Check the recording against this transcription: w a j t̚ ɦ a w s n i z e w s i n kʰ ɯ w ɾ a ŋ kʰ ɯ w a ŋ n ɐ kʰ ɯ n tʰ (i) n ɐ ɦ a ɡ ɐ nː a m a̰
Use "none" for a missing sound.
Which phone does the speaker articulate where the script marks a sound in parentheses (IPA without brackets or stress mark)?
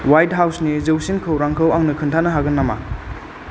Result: a